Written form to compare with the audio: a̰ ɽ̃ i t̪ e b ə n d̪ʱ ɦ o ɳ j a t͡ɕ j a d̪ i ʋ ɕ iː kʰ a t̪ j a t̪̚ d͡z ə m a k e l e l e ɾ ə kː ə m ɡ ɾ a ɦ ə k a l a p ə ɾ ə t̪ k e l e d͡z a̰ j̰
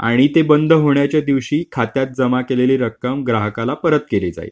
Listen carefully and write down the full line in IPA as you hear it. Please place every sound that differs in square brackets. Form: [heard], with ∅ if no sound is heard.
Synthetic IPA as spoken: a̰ ɽ̃ i t̪ e b ə n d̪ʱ ɦ o ɳ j a t͡ɕ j a d̪ i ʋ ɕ iː kʰ a t̪ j a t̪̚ d͡z ə m a k e l e l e ɾ ə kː ə m ɡ ɾ a ɦ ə k a l a p ə ɾ ə t̪ k e l e d͡z a̰ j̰